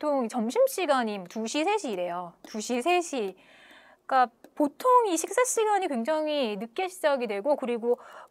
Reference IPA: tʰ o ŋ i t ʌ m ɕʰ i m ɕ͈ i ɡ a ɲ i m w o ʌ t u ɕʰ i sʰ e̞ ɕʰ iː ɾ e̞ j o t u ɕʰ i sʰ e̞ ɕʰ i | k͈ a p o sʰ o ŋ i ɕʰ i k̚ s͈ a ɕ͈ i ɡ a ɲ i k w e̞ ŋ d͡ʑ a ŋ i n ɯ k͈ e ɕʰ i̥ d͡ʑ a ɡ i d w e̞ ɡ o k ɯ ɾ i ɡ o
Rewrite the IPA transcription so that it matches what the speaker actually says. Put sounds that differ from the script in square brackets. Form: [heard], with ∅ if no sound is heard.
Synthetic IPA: tʰ o ŋ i [t͡ɕ] ʌ m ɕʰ i m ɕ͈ i ɡ a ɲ i m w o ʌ t u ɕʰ i sʰ e̞ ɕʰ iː ɾ e̞ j o t u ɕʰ i sʰ e̞ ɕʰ i | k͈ a p o [tʰ] o ŋ i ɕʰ i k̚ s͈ a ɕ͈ i ɡ a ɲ i k w e̞ ŋ d͡ʑ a ŋ i n ɯ k͈ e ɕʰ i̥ d͡ʑ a ɡ i d w e̞ ɡ o k ɯ ɾ i ɡ o